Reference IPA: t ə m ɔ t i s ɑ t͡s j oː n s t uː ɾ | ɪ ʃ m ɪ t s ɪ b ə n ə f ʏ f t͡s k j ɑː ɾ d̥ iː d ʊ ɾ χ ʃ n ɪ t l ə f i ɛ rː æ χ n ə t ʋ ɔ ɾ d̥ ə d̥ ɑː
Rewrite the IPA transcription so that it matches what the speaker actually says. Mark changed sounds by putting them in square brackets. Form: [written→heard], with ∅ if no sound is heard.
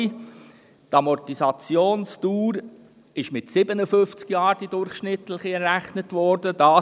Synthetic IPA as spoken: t [ə→ɑ] m ɔ t i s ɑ t͡s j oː n s t uː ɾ | ɪ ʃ m ɪ t s ɪ b ə n ə f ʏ f t͡s k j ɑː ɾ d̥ [iː→i] d ʊ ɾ χ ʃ n ɪ t l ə [f→χ] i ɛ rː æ χ n ə t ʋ ɔ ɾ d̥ ə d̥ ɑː

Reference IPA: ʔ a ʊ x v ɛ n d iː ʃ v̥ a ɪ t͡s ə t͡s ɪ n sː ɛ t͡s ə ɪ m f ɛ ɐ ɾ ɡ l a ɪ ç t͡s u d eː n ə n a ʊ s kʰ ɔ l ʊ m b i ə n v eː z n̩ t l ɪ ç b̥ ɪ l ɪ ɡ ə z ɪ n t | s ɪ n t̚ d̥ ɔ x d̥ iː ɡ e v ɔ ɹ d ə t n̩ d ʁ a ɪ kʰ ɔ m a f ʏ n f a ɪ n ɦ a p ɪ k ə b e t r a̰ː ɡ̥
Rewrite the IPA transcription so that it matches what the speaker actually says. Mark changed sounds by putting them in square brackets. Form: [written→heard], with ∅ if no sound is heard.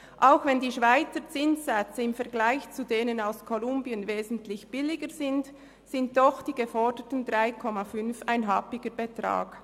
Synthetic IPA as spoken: ʔ a ʊ x v ɛ n d iː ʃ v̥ a ɪ t͡s ə t͡s ɪ n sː ɛ t͡s ə ɪ m f ɛ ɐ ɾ ɡ l a ɪ ç t͡s u d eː n ə n a ʊ s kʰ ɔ l ʊ m b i ə n v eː z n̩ t l ɪ ç b̥ ɪ l ɪ ɡ ə z ɪ n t | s ɪ n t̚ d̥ ɔ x d̥ iː ɡ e [v→f] ɔ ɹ d ə t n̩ d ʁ a ɪ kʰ ɔ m a f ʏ n f a ɪ n ɦ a p ɪ [k→ɡ] ə b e t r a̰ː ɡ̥

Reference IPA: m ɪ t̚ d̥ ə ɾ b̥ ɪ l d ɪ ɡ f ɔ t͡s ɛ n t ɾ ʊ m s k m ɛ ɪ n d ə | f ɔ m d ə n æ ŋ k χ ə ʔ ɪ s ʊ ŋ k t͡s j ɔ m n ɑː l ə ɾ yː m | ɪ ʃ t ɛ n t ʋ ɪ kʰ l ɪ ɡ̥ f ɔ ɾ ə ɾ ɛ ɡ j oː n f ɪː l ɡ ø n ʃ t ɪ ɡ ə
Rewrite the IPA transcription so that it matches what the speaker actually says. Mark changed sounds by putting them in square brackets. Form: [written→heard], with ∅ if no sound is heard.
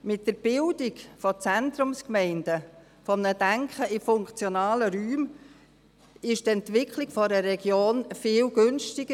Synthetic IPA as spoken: m ɪ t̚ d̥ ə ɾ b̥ ɪ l d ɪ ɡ f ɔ t͡s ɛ n t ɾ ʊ m s k m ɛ ɪ n d ə | f ɔ m [d→n] ə [n→d] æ ŋ k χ ə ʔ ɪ [s→f] ʊ ŋ k t͡s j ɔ [m→∅] n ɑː l ə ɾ yː m | ɪ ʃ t ɛ n t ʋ ɪ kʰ l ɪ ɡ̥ f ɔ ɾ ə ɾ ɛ ɡ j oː n f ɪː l ɡ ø n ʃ t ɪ ɡ ə

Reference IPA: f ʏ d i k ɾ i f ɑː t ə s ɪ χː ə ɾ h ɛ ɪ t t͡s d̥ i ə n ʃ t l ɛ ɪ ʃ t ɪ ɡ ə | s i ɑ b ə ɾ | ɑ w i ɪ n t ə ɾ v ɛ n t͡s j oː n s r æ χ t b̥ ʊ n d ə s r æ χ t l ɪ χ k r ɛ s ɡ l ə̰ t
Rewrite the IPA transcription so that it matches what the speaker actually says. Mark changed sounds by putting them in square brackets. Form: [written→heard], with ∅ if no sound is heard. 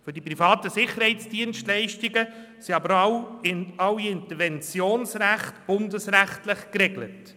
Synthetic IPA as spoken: f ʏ d i [k→p] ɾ i f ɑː t ə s ɪ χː ə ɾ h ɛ ɪ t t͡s d̥ i ə n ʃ t l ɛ ɪ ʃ t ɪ ɡ ə | s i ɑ b ə ɾ | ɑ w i ɪ n t ə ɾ v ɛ n t͡s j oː n s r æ χ t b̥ ʊ n d ə s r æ χ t l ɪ χ k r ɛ [s→∅] ɡ l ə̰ t

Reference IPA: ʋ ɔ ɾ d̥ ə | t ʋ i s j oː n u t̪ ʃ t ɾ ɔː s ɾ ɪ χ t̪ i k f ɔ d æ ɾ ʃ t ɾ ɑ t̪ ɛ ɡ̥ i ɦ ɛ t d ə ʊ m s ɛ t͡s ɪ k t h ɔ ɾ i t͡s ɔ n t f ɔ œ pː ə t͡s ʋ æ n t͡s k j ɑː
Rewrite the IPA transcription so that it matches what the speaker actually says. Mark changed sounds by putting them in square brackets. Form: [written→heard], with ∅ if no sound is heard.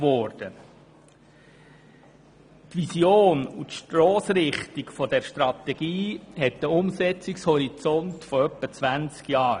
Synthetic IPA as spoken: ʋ ɔ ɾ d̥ ə | t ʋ i s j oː n u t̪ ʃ t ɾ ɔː s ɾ ɪ χ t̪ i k f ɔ d [æ→ɛ] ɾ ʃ t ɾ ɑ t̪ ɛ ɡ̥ [i→iː] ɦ ɛ t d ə ʊ m s ɛ t͡s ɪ k [t→s] h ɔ ɾ i t͡s ɔ n t f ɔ œ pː ə t͡s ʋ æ n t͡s k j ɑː

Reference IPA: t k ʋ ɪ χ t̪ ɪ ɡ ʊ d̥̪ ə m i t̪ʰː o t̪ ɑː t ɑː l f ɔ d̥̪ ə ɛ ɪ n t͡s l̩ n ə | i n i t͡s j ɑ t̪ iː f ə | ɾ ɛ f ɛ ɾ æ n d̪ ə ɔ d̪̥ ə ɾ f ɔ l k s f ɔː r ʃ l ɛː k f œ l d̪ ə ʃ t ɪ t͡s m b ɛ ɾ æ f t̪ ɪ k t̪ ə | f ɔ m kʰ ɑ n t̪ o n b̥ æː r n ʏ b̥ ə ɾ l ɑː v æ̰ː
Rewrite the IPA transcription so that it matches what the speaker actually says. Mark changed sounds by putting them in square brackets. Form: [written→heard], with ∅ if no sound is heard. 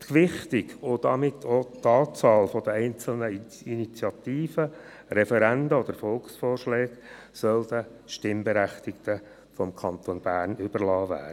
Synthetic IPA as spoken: t k ʋ ɪ χ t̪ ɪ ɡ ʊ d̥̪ [ə→ɑ] m [i→ɪ] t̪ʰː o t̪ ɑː [t→t͡s] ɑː l f ɔ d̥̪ ə ɛ ɪ n t͡s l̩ n ə | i n i t͡s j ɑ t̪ iː f ə | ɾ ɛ f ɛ ɾ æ n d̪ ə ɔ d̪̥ ə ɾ f ɔ l k s f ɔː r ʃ l ɛː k [f→s] œ l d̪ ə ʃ t ɪ [t͡s→∅] m b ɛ ɾ æ [f→χ] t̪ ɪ k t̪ ə | f ɔ m kʰ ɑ n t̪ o n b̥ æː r n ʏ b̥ ə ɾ l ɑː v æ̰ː

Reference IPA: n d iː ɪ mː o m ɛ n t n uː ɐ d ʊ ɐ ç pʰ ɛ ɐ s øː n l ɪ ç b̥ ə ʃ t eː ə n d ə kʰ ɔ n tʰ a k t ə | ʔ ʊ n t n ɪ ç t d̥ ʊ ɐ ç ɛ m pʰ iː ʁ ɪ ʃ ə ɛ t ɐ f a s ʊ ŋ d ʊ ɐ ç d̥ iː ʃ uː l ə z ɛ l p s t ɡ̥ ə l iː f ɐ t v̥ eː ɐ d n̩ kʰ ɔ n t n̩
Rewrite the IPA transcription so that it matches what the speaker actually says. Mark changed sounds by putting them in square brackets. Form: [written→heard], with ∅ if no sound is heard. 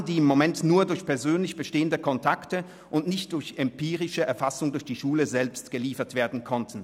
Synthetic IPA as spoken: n d iː ɪ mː o m ɛ n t n uː ɐ d ʊ ɐ ç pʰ ɛ ɐ [s→z] øː n l ɪ ç b̥ ə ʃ t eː ə n d ə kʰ ɔ n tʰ a k t ə | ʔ ʊ n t n ɪ ç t d̥ ʊ ɐ ç ɛ m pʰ iː ʁ ɪ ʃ ə ɛ [t→∅] ɐ f a s ʊ ŋ d ʊ ɐ ç d̥ iː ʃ uː l ə z ɛ l p s t ɡ̥ ə l iː f ɐ t v̥ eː ɐ d n̩ kʰ ɔ n t n̩

